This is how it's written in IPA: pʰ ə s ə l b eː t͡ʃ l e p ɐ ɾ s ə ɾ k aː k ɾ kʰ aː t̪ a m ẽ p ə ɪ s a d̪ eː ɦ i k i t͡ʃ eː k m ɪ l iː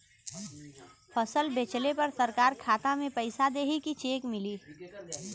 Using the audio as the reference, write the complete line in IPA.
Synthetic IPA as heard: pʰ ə s ə l b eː t͡ʃ l e p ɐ ɾ s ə ɾ k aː ɾ kʰ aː t̪ a m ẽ p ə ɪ s a d̪ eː ɦ i k i t͡ʃ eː k m ɪ l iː